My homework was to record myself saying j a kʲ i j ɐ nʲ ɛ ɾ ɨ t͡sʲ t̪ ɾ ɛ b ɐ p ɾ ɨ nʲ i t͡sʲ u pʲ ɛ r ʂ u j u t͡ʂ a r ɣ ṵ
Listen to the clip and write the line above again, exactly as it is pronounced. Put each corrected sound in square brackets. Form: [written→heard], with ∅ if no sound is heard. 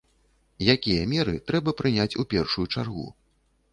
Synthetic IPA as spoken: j a kʲ i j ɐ [nʲ→mʲ] ɛ ɾ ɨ [t͡sʲ→∅] t̪ ɾ ɛ b ɐ p ɾ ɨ nʲ [i→a] t͡sʲ u pʲ ɛ r ʂ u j u t͡ʂ a r ɣ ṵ